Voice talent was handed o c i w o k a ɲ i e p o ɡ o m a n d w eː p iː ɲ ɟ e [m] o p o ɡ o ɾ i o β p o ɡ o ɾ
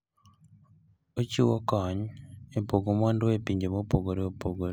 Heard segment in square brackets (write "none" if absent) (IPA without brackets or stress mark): m